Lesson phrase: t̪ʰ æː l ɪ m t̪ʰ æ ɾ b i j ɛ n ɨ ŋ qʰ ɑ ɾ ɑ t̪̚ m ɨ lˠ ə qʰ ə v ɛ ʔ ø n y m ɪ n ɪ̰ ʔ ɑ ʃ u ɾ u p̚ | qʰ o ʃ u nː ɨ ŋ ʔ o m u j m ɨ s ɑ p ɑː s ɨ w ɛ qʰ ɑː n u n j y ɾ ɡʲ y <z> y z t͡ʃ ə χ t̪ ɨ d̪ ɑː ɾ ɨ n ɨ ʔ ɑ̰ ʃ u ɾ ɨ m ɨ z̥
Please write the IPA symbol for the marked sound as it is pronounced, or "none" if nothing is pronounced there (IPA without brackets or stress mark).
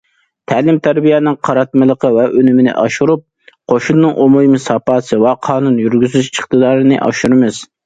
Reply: z